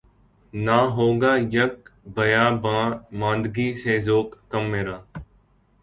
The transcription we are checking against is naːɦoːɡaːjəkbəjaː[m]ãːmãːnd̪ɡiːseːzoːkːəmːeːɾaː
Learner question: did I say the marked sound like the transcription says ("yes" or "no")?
no